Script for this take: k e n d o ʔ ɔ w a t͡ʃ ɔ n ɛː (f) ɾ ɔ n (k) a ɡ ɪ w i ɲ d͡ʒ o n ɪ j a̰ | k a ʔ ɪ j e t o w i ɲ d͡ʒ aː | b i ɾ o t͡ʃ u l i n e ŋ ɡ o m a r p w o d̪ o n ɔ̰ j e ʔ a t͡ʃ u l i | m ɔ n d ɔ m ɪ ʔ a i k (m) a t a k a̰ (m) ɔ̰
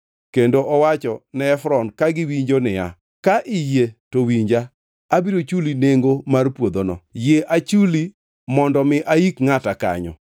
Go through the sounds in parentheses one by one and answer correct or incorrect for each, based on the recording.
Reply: correct, correct, incorrect: ŋ, incorrect: ɲ

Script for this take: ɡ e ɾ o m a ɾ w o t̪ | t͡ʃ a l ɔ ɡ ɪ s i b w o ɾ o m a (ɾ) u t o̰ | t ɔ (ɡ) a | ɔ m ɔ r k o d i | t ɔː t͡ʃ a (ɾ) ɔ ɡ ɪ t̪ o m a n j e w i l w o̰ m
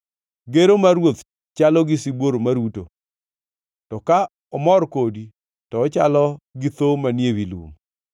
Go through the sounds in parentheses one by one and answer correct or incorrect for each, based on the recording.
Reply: correct, incorrect: k, incorrect: l

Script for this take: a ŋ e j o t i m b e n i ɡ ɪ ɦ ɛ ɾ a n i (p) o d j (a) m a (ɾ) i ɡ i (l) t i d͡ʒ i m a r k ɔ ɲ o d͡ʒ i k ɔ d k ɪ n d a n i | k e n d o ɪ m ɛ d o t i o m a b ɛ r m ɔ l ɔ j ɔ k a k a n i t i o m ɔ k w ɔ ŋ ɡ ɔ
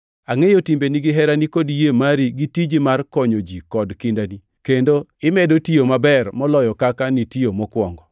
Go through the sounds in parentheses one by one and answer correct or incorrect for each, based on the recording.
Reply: incorrect: k, incorrect: e, correct, incorrect: none

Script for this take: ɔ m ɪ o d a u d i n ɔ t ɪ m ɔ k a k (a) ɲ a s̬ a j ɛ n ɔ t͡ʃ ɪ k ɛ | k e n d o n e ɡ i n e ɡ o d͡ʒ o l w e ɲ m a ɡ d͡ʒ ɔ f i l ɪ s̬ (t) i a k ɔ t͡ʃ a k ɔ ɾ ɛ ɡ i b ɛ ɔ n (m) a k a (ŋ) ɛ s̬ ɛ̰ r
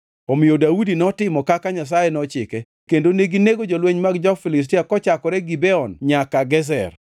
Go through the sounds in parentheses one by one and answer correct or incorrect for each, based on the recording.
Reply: correct, correct, incorrect: ɲ, incorrect: ɡ

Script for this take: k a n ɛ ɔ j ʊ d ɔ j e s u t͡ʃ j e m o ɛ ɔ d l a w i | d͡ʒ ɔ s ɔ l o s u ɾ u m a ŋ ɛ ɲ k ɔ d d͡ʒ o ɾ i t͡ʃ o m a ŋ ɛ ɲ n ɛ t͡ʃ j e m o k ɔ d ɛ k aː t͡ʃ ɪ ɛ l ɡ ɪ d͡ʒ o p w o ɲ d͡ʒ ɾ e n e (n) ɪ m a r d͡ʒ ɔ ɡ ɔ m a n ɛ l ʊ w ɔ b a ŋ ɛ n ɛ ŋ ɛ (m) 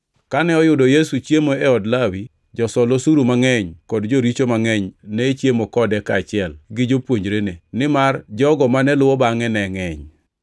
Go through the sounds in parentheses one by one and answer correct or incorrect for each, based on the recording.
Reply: correct, incorrect: ɲ

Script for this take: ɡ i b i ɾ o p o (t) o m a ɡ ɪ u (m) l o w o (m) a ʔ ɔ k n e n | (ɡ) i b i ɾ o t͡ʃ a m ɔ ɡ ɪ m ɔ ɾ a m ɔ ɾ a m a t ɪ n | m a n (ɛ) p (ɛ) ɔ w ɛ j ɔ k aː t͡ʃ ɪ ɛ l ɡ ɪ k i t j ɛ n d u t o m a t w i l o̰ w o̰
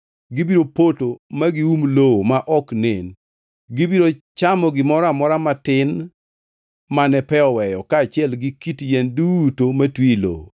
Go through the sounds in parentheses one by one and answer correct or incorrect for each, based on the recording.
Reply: correct, correct, correct, correct, correct, correct

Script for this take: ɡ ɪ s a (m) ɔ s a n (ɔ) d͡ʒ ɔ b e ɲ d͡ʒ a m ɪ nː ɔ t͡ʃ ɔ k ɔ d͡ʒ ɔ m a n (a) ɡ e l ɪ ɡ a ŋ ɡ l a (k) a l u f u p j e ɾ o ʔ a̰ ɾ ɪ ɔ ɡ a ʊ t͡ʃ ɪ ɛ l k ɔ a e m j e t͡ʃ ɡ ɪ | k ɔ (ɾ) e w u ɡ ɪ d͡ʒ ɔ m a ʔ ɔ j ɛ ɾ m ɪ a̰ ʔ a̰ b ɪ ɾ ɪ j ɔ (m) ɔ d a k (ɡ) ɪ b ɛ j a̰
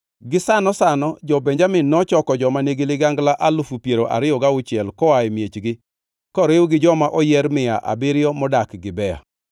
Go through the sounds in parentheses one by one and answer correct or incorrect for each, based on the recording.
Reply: incorrect: n, correct, incorrect: e, incorrect: ʔ, correct, correct, correct

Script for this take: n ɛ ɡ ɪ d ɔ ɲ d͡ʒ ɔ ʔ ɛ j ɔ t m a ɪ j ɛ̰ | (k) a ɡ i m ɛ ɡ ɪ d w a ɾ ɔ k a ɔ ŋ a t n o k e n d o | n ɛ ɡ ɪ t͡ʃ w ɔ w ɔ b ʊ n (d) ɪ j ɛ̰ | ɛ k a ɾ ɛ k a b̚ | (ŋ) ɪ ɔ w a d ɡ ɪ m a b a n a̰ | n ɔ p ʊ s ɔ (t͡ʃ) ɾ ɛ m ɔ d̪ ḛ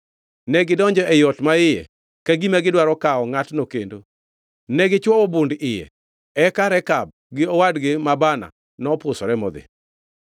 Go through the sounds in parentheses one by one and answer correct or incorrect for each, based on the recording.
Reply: correct, correct, incorrect: ɡ, incorrect: none

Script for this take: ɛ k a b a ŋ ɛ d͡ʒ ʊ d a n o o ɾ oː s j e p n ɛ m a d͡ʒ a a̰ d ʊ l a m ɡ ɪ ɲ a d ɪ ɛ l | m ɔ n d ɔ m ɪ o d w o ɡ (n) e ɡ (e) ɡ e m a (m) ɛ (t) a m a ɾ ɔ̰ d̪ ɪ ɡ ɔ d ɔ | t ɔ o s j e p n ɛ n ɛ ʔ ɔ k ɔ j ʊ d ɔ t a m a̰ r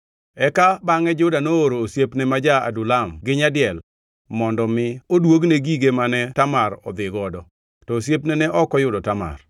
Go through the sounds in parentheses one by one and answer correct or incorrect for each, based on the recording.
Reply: correct, incorrect: i, incorrect: n, correct

